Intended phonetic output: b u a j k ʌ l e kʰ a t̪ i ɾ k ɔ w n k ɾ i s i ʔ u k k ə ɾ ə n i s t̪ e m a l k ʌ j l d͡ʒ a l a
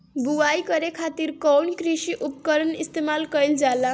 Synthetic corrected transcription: b u a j k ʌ ɾ e kʰ a t̪ i ɾ k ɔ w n k ɾ i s i ʔ u p k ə ɾ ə n i s t̪ e m a l k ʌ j l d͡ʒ a l a